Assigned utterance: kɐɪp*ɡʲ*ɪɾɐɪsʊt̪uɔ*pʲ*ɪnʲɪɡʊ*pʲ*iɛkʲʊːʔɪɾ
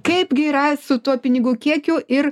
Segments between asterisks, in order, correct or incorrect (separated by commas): correct, correct, incorrect